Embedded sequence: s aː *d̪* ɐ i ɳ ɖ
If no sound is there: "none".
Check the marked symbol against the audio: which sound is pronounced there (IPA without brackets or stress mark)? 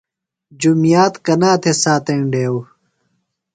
t̪